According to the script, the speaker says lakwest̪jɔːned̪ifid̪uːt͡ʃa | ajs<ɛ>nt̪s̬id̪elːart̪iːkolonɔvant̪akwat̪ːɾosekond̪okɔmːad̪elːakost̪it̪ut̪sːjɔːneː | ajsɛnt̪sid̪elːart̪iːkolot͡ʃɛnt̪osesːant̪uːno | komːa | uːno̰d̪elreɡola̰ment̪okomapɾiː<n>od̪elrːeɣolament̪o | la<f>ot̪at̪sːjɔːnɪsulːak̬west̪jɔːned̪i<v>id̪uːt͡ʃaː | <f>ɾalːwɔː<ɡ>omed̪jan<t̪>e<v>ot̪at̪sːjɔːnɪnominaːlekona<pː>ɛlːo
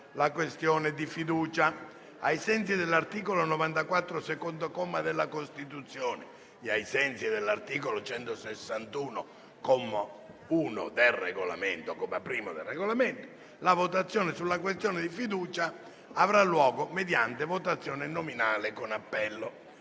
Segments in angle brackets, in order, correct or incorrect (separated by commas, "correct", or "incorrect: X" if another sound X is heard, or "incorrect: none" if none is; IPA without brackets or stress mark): correct, incorrect: m, incorrect: v, incorrect: f, incorrect: v, correct, correct, correct, correct